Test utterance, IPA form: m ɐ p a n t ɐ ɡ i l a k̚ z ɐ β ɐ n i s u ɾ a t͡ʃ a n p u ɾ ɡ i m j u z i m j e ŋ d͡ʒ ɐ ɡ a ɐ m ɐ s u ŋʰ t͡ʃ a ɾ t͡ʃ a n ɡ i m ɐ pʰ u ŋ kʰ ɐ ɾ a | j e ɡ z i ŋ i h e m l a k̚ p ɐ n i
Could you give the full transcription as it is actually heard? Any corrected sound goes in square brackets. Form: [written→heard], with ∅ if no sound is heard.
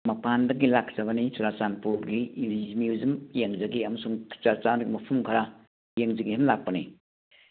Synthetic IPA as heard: m ɐ p a n [t→d] ɐ ɡ i l a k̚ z ɐ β ɐ n i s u ɾ a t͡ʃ a n p u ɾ ɡ i m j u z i m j e ŋ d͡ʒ ɐ ɡ [a→i] ɐ m ɐ s u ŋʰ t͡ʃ a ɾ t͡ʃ a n ɡ i m ɐ pʰ u [ŋ→m] kʰ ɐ ɾ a | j e [ɡ→ŋ] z i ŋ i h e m l a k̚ p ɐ n i

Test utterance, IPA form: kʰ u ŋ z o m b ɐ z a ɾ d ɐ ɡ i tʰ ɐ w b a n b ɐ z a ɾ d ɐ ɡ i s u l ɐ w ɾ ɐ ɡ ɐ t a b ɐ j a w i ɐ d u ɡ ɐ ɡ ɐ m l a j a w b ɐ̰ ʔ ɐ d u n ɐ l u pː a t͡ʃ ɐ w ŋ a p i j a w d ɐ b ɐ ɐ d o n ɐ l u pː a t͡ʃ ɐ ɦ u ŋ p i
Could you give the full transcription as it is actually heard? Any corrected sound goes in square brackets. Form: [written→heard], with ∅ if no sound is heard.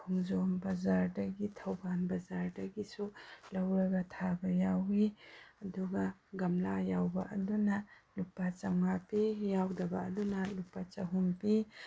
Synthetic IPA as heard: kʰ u ŋ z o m b ɐ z a ɾ d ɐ ɡ i tʰ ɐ w b a n b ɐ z a ɾ d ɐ ɡ i s u l ɐ w ɾ ɐ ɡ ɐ [t→tʰ] a b ɐ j a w i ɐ d u ɡ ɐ ɡ ɐ m l a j a w b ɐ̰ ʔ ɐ d u n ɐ l u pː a t͡ʃ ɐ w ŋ a p i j a w d ɐ b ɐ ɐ d [o→u] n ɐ l u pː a t͡ʃ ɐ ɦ u [ŋ→m] p i

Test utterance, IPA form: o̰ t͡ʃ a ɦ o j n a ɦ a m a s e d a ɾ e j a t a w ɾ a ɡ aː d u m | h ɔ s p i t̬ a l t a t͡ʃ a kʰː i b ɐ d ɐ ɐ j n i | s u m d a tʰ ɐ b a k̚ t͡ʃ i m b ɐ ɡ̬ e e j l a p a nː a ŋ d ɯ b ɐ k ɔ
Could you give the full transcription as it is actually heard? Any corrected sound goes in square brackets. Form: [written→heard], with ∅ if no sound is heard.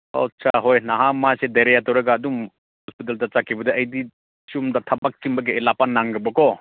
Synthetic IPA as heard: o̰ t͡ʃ a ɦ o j n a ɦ a m a s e d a ɾ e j a t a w ɾ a ɡ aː d u m | h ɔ s p i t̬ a l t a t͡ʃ a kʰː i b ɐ d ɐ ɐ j [n→d] i | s u m d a tʰ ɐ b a k̚ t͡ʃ i m b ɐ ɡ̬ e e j l a p a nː a ŋ [d→ɡ] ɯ b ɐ k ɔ

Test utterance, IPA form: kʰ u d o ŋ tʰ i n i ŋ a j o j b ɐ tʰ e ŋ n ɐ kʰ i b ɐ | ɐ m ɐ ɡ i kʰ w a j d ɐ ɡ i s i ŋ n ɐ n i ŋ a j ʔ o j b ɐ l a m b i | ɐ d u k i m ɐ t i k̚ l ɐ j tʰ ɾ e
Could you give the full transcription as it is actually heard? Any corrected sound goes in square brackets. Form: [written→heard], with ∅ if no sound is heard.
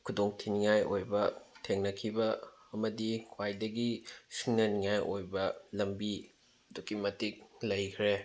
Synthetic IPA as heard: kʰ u d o ŋ tʰ i n i ŋ a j o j b ɐ tʰ e ŋ n ɐ kʰ i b ɐ | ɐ m ɐ [ɡ→d] i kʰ w a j d ɐ ɡ i s i ŋ n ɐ n i ŋ a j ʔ o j b ɐ l [a→ɐ] m b i | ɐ d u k i m ɐ t i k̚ l ɐ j [tʰ→kʰ] ɾ e

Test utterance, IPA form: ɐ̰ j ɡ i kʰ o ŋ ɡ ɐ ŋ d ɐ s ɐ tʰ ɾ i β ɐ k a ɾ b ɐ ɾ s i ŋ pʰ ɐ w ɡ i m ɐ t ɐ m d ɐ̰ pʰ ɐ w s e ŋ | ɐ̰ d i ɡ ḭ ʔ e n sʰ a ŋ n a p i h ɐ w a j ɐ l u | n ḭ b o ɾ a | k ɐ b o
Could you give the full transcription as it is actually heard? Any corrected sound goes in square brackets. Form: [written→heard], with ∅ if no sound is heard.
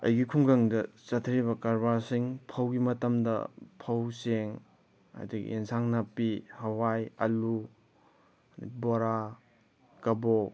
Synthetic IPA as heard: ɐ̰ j ɡ i kʰ [o→u] ŋ ɡ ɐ ŋ d ɐ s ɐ tʰ ɾ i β ɐ k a ɾ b [ɐ→a] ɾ s i ŋ pʰ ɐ w ɡ i m ɐ t ɐ m d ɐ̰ pʰ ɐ w s e ŋ | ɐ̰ d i ɡ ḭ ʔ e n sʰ a ŋ n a p i h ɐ w a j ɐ l u | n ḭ b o ɾ a | k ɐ b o

